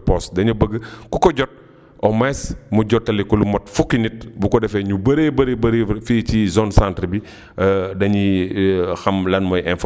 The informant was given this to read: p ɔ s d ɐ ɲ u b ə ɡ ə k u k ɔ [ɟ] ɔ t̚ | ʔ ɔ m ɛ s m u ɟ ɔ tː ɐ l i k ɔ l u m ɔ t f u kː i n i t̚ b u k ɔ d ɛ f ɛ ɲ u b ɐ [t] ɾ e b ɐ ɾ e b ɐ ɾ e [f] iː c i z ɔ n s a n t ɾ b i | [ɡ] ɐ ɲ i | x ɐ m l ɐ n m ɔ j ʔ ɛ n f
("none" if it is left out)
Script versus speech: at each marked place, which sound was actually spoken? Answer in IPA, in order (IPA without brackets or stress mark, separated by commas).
ɟ, none, f, d